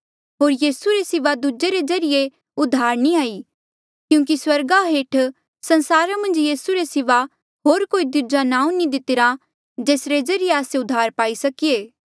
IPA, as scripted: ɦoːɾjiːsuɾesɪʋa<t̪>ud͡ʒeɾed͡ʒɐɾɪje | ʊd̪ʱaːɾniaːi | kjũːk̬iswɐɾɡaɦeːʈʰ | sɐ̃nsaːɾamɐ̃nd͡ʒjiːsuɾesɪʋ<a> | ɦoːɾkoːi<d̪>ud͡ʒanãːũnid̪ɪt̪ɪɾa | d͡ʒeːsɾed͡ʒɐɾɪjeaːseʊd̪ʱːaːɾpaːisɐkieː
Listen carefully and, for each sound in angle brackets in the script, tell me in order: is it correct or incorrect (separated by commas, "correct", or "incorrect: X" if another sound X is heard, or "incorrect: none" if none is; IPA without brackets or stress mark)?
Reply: incorrect: d̪, correct, correct